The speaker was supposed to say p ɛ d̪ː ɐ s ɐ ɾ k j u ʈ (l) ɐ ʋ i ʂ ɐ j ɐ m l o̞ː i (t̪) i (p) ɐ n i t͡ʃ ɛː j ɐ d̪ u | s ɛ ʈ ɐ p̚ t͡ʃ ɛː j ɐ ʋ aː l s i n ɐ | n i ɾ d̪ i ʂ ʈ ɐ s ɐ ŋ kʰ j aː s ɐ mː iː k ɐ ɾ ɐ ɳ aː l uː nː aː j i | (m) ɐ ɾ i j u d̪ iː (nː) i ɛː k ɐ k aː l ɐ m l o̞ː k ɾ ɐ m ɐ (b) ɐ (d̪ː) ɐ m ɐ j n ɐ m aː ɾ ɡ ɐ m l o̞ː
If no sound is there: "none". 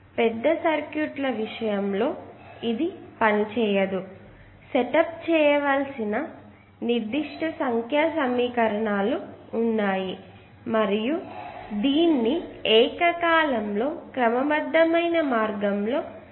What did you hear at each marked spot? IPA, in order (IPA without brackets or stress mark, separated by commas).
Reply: l, d̪, p, m, nː, b, d̪ː